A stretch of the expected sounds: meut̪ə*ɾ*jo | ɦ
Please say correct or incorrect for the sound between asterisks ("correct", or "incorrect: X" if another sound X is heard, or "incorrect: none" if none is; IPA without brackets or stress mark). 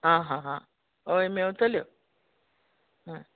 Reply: incorrect: l